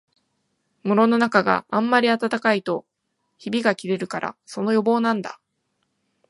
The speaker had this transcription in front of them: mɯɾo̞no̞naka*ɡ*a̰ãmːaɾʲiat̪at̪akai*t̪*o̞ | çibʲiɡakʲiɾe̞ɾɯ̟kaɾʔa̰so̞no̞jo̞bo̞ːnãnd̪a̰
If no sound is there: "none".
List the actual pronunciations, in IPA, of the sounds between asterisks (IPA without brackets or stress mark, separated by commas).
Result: ɡ, t̪